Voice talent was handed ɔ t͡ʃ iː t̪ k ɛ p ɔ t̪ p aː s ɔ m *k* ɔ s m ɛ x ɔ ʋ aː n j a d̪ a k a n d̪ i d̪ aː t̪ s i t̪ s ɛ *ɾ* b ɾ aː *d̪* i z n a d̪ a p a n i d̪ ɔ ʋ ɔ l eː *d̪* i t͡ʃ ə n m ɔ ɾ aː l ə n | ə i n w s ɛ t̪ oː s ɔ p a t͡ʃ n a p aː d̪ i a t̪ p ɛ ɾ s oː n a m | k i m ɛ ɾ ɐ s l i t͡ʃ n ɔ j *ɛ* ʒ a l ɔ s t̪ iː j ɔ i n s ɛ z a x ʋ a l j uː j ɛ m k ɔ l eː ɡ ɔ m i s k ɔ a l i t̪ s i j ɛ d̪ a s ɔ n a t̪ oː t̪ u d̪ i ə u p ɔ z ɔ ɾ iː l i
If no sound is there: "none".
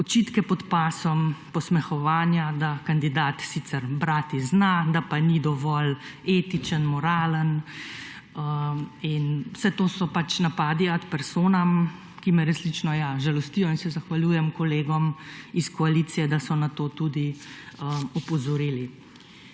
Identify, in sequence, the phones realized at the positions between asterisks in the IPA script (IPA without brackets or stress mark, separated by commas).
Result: p, ɾ, t̪, t̪, a